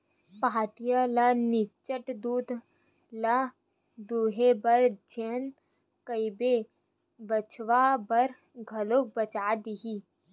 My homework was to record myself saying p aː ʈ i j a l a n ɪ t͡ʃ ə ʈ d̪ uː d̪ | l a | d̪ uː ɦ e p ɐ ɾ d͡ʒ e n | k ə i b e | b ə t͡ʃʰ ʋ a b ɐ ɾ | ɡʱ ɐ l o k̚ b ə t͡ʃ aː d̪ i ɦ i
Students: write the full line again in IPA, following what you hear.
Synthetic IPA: p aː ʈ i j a l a n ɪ t͡ʃ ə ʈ d̪ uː d̪ | l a | d̪ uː ɦ e b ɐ ɾ d͡ʒ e n | k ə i b e | b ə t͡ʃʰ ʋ a b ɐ ɾ | ɡʱ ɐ l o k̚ b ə t͡ʃ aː d̪ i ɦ i